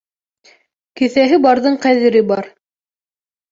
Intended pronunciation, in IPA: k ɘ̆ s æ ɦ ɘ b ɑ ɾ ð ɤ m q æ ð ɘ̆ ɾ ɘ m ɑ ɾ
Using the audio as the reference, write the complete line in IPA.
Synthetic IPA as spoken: k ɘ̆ θ æ ɦ ɘ b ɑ ɾ ð ɤ ɴ q æ ð ɘ̆ ɾ ɘ b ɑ ɾ